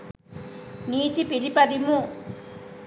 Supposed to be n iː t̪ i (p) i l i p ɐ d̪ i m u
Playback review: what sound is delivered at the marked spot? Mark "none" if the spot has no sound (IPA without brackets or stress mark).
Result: p